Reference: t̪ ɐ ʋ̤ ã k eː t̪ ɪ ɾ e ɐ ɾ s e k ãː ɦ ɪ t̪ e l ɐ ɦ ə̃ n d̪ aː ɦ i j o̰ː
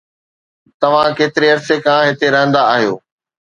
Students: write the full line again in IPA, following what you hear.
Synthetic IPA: t̪ ɐ ʋ̤ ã k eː t̪ ɪ ɾ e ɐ ɾ s e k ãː ɦ ɪ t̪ e ɾ ɐ ɦ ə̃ n d̪ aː ɦ i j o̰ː